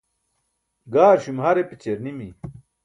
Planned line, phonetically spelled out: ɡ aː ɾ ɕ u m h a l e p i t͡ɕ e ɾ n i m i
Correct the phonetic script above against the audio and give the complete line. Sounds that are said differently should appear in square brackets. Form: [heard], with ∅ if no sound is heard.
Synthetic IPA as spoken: ɡ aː ɾ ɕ u m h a [ɾ] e p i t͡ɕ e ɾ n i m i